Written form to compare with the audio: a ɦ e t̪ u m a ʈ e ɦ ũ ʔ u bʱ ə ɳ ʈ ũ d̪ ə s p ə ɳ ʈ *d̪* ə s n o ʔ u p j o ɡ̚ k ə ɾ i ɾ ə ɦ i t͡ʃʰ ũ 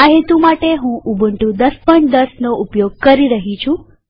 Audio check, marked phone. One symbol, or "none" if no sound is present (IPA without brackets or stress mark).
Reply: d̪